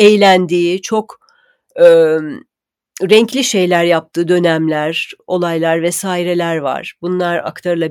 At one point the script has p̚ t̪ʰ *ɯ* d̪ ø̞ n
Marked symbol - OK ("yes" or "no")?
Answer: no